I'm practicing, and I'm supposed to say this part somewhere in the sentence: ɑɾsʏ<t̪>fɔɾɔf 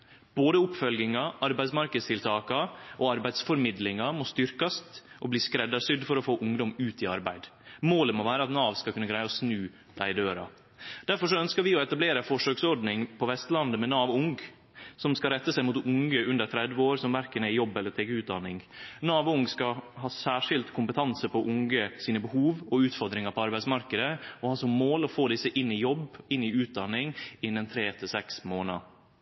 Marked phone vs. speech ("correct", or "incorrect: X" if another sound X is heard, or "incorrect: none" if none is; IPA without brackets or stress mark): incorrect: d̪